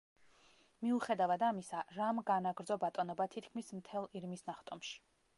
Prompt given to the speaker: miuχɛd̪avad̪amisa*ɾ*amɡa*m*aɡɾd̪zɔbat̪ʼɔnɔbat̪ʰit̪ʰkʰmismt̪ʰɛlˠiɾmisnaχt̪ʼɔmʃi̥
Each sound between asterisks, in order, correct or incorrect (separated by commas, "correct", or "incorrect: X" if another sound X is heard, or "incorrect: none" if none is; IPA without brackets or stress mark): correct, incorrect: n